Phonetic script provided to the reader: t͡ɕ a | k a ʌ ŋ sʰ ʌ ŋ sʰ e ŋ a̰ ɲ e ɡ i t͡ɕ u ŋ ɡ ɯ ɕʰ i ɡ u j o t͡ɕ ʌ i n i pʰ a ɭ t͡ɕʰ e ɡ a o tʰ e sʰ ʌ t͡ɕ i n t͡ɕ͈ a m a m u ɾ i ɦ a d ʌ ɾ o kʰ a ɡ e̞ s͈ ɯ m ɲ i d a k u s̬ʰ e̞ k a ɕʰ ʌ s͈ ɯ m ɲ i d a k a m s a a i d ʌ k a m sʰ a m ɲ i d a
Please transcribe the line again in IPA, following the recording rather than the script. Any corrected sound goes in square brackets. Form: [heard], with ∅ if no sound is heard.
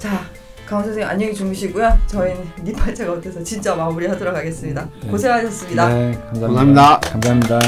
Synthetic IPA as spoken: t͡ɕ a | k a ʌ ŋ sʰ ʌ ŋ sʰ e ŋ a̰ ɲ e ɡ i t͡ɕ u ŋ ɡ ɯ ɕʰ i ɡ u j o t͡ɕ ʌ i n i pʰ a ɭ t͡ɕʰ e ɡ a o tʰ e sʰ ʌ t͡ɕ i n t͡ɕ͈ a m a m u ɾ i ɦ a d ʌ ɾ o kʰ a ɡ e̞ s͈ ɯ m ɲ i d a k [o] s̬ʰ e̞ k a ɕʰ ʌ s͈ ɯ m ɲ i d a k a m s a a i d [a] k a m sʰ a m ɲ i d a